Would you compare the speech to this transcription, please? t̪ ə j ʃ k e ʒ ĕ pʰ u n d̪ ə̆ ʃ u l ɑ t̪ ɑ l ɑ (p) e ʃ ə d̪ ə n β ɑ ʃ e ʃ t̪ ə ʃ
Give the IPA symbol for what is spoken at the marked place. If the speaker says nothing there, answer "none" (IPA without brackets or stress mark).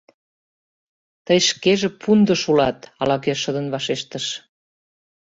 k